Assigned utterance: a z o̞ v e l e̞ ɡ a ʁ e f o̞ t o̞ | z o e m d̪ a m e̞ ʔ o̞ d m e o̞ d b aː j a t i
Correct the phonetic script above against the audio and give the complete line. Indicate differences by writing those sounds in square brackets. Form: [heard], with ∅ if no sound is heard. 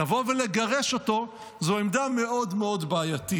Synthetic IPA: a [v] o̞ v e l e̞ ɡ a ʁ e [ʃ] o̞ t o̞ | z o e m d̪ a m e̞ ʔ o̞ d m e o̞ d b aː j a t i